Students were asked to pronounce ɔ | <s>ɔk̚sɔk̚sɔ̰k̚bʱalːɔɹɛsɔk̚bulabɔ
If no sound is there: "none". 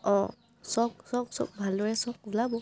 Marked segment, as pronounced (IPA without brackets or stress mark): s